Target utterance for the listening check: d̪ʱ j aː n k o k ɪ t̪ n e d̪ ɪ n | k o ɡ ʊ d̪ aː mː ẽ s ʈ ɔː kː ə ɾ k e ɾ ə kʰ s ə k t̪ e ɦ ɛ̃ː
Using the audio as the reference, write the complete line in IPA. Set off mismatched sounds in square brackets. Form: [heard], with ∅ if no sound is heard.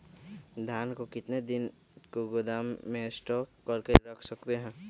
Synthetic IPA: d̪ʱ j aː n k o k ɪ t̪ n e d̪ ɪ n | k o ɡ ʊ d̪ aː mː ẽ s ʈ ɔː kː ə ɾ k e ɾ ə kʰ s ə k t̪ e ɦ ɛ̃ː